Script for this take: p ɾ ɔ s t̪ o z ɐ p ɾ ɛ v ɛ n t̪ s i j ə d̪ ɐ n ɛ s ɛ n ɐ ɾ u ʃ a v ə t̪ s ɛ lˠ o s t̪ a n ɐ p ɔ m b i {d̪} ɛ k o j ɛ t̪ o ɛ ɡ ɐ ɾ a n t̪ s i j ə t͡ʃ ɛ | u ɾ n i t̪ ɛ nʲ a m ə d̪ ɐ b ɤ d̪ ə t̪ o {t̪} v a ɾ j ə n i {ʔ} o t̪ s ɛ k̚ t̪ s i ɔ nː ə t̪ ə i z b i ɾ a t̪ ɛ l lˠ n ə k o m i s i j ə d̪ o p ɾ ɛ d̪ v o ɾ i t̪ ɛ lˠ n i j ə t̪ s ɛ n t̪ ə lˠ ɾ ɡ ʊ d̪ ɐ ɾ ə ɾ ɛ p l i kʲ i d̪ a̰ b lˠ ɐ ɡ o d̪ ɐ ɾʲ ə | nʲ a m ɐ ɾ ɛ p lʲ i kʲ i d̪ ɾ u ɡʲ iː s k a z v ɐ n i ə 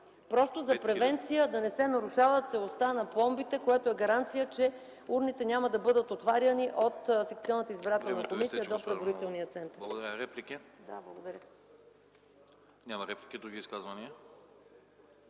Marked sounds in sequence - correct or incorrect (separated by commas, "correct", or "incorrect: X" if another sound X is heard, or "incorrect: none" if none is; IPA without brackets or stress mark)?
incorrect: t̪, correct, correct